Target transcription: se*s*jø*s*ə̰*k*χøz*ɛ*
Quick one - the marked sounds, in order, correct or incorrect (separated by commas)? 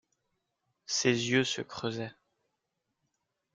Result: incorrect, correct, correct, correct